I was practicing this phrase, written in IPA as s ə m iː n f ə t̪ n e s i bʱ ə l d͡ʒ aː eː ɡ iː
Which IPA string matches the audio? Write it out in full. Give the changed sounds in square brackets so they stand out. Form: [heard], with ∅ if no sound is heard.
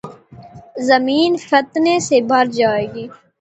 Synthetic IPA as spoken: [z] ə m iː n f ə t̪ n e s [e] bʱ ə [ɾ] d͡ʒ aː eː ɡ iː